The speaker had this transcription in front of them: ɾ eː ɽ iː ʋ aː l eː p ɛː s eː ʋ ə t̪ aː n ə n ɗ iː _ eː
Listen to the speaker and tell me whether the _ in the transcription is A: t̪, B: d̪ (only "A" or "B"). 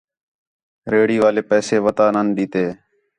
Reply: A